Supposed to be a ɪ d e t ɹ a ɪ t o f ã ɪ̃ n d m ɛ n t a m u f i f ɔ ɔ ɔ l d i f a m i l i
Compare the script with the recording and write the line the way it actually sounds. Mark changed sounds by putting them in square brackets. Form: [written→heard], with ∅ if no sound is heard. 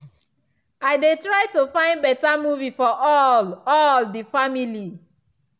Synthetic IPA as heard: a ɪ d e t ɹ a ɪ t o f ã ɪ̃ n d [m→b] ɛ [n→∅] t a m u [f→v] i f ɔ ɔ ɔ l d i f a m i l i